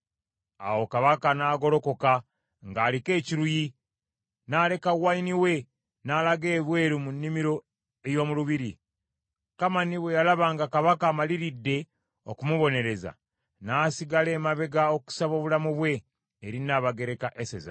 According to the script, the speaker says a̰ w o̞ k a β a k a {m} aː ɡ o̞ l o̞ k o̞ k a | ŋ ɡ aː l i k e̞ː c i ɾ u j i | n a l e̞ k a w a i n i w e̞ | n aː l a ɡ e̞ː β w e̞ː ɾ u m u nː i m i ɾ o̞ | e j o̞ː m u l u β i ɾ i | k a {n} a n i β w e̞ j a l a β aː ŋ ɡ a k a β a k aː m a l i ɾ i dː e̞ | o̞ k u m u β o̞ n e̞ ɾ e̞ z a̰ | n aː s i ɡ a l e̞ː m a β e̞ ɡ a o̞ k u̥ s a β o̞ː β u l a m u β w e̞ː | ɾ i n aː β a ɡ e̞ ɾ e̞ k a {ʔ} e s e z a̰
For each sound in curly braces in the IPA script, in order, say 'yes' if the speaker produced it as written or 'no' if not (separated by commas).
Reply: no, no, yes